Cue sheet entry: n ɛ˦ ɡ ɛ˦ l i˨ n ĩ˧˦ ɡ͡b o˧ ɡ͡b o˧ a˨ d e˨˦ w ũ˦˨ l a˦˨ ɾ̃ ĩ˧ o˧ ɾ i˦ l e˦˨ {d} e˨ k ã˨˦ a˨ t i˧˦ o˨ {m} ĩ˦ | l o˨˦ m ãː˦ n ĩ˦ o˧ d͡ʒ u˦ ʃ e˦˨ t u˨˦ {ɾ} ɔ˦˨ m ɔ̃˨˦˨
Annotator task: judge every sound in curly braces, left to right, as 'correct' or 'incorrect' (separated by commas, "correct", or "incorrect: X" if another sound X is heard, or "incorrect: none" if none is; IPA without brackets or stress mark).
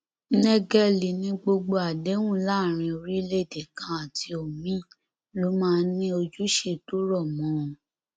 correct, correct, correct